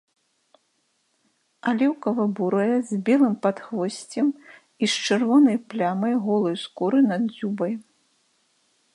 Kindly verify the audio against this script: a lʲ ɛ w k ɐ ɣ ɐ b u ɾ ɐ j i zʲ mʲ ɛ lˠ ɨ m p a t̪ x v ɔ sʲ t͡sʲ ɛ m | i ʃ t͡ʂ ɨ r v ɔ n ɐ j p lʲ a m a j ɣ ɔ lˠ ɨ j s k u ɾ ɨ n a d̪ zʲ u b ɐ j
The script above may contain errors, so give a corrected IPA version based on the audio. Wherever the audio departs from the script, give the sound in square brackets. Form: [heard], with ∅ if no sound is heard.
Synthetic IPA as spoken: a lʲ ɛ w k ɐ [v] ɐ b u ɾ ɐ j [ɛ] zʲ [bʲ] ɛ lˠ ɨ m p a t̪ x v ɔ sʲ t͡sʲ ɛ m | i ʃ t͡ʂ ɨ r v ɔ n ɐ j p lʲ a m [ɐ] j ɣ ɔ lˠ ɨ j s k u ɾ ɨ n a d̪ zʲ u b ɐ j